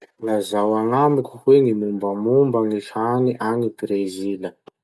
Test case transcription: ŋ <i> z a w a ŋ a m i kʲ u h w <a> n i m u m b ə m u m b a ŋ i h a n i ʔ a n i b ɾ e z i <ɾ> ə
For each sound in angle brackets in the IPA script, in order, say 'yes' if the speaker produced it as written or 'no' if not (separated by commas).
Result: no, no, no